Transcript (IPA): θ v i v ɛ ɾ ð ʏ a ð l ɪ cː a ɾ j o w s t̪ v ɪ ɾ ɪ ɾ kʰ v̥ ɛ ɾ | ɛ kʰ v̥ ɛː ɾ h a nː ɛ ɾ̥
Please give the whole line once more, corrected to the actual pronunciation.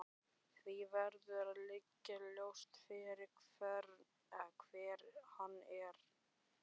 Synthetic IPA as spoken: θ v i v ɛ ɾ ð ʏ a ð l ɪ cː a l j o w s t̪ f ɪ ɾ ɪ ɾ kʰ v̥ ɛ ɾ | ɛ kʰ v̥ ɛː ɾ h a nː ɛ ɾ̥